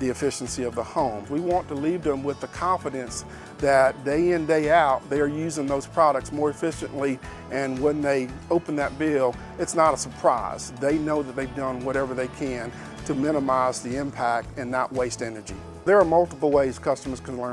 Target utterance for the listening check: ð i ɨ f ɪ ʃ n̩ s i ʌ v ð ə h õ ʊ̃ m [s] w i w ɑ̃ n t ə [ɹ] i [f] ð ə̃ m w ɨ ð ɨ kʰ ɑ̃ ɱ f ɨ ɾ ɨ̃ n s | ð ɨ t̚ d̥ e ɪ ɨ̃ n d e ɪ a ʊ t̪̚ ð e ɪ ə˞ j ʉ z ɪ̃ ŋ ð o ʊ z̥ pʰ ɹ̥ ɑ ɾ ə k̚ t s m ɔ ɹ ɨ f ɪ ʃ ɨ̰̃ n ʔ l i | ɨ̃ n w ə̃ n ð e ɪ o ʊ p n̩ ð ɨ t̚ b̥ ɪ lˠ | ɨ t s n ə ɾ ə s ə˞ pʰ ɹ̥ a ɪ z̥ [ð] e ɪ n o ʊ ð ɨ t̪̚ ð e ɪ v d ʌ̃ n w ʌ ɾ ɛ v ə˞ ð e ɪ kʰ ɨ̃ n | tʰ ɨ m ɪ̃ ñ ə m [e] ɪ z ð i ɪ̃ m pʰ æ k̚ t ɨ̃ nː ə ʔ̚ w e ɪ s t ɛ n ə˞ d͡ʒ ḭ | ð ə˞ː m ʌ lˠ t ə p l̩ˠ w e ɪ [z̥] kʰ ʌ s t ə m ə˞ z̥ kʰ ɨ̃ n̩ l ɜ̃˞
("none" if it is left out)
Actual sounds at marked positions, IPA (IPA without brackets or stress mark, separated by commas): z, l, v, ð, a, z̥